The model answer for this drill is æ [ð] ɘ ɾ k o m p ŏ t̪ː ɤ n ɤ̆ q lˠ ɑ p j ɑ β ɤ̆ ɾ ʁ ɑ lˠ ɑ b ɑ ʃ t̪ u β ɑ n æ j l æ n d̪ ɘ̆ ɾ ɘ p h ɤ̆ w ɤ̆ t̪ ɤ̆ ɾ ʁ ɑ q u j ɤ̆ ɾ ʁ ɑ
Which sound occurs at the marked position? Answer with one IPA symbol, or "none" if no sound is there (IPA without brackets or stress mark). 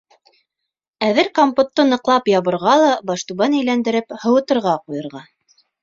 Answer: ð